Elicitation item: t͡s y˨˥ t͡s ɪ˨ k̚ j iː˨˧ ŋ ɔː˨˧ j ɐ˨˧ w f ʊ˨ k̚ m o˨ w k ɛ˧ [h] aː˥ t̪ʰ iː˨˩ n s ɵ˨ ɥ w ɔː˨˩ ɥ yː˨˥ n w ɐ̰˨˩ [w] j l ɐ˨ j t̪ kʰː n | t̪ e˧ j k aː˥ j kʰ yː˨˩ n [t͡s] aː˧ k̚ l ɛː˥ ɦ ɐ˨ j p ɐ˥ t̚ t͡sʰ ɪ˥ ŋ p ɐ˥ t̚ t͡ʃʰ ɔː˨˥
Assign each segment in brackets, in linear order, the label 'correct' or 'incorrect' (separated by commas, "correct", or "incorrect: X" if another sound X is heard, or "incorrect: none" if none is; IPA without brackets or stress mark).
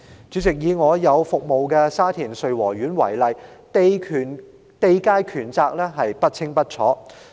incorrect: s, incorrect: none, correct